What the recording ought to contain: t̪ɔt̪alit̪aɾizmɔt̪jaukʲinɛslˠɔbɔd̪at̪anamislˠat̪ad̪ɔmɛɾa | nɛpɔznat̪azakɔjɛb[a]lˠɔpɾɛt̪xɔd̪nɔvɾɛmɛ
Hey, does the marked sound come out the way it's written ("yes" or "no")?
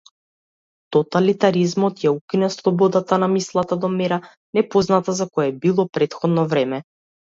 no